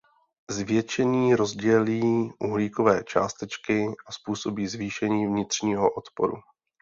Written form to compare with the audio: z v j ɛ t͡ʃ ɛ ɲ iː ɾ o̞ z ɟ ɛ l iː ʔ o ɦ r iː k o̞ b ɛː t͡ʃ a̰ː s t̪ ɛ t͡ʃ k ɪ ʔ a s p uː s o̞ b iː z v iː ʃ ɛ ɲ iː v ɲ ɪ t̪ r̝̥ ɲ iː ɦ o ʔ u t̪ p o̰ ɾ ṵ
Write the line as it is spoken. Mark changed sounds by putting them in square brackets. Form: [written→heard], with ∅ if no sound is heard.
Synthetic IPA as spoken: z v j ɛ t͡ʃ ɛ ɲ iː ɾ o̞ z ɟ ɛ l iː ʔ [o→u] ɦ [r→l] iː k o̞ [b→v] ɛː t͡ʃ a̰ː s t̪ ɛ t͡ʃ k ɪ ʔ a s p uː s o̞ b iː z v iː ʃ ɛ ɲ iː v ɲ ɪ t̪ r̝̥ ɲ iː ɦ o ʔ [u→o] t̪ p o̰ ɾ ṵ